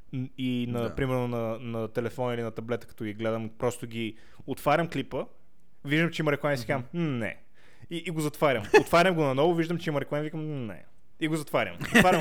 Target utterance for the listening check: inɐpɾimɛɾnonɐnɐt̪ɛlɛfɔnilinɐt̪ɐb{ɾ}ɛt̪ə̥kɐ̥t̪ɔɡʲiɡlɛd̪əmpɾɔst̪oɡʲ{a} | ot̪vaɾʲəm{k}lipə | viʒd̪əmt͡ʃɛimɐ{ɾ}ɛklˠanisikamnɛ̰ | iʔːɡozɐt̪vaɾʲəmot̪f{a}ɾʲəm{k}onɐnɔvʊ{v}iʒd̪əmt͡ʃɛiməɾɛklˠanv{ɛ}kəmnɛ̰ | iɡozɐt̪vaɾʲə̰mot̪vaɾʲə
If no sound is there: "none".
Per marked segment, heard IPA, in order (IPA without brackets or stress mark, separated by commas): l, i, k, ɾ, a, ɡ, v, i